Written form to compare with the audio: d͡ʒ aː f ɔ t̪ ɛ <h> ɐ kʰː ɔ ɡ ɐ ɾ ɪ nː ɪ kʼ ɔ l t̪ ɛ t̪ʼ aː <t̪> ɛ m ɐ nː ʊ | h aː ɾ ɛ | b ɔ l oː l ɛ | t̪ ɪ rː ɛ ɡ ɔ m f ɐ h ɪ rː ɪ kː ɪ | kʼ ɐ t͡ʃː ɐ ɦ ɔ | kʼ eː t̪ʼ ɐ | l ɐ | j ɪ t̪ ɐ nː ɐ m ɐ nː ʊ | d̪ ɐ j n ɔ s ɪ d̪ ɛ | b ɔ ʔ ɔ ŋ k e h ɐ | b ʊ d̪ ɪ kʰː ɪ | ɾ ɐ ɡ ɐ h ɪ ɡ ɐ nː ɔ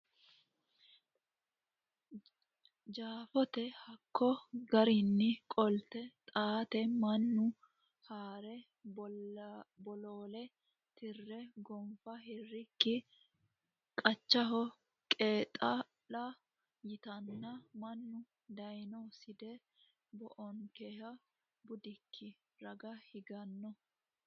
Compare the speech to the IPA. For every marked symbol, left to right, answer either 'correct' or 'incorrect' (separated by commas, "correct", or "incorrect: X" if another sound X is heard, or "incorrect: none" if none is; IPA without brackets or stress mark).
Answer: correct, correct